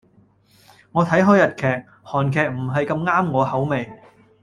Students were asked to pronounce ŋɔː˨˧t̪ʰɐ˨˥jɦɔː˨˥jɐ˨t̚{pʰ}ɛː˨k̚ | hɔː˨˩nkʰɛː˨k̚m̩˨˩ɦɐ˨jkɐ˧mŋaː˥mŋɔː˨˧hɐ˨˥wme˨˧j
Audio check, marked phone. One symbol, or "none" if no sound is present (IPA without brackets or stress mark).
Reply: kʰ